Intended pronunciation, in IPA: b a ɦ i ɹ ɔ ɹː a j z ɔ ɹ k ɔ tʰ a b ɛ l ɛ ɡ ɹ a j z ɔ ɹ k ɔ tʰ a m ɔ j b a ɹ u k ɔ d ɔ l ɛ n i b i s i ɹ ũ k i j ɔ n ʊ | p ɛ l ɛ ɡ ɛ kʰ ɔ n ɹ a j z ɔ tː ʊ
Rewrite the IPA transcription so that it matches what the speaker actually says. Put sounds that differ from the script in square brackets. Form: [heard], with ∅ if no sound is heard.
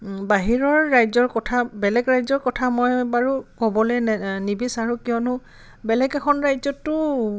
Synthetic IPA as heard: b a ɦ i ɹ ɔ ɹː a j z ɔ ɹ k ɔ tʰ a b ɛ l ɛ ɡ ɹ a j z ɔ ɹ k ɔ tʰ a m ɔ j b a ɹ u k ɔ [b] ɔ l ɛ n i b i s [a] ɹ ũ k i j ɔ n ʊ | [b] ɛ l ɛ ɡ ɛ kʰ ɔ n ɹ a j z ɔ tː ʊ